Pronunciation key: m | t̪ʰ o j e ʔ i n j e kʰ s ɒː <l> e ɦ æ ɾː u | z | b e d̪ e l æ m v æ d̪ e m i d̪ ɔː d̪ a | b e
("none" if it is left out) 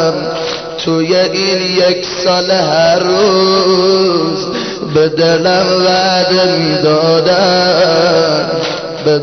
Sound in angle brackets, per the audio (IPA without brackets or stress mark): l